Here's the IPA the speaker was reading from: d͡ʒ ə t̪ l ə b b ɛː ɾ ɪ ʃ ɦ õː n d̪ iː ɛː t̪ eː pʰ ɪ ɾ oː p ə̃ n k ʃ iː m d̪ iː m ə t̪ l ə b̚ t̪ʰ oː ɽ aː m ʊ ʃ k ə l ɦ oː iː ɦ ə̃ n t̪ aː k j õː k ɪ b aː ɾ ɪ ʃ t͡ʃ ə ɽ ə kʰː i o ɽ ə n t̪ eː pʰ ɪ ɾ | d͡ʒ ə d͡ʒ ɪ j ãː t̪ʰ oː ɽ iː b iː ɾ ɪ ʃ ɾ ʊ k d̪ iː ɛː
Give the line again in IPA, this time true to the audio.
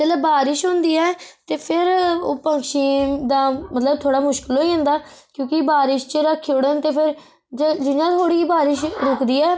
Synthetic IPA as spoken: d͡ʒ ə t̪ l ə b b aː ɾ ɪ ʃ ɦ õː n d̪ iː ɛː t̪ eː pʰ ɪ ɾ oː p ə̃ ŋ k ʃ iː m d̪ aː m ə t̪ l ə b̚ t̪ʰ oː ɽ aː m ʊ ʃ k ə l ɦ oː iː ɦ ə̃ n d̪ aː k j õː k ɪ b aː ɾ ɪ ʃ t͡ʃ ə ɾ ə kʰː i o ɽ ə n t̪ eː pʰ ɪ ɾ | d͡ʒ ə d͡ʒ ɪ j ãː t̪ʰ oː ɽ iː b aː ɾ ɪ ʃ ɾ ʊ k d̪ iː ɛː